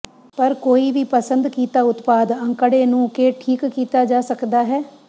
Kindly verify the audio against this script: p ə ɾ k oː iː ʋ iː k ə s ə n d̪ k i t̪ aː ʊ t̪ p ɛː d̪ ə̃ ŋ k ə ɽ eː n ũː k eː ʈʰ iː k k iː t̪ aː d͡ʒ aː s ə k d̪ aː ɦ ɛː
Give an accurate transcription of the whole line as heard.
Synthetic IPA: p ə ɾ k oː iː ʋ iː p ə s ə n d̪ k iː t̪ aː ʊ t̪ p aː d̪ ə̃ ŋ k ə ɽ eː n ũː k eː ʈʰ iː k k iː t̪ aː d͡ʒ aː s ə k d̪ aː ɦ ɛː